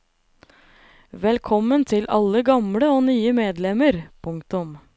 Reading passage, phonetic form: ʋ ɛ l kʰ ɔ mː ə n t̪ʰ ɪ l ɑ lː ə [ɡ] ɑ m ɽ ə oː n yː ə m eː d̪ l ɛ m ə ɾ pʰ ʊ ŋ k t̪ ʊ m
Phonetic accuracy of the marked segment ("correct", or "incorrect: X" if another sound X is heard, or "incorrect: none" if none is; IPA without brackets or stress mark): correct